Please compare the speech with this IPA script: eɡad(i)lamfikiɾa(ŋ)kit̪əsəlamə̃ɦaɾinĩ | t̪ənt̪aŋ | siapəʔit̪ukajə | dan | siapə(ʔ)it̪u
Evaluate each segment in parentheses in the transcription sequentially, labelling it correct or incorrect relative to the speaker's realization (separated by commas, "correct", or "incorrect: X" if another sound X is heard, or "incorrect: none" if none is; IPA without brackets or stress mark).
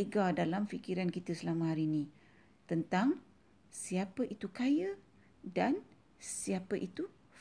incorrect: a, incorrect: n, correct